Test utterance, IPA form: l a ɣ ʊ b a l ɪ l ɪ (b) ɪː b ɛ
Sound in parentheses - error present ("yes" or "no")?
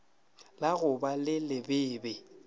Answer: no